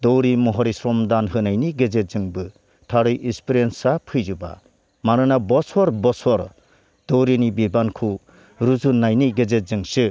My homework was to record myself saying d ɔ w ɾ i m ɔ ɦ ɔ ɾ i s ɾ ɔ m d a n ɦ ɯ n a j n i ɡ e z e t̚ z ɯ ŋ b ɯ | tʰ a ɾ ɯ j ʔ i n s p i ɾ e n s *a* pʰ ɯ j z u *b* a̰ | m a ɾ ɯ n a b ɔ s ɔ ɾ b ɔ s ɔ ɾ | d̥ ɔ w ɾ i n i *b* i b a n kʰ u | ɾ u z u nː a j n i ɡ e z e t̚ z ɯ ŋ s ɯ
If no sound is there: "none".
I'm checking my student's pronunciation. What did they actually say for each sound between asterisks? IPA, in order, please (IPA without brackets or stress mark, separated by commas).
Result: a, b, b